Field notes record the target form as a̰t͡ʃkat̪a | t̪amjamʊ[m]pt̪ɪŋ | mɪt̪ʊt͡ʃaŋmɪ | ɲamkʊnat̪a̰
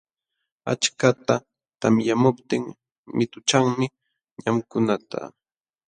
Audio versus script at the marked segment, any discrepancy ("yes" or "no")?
yes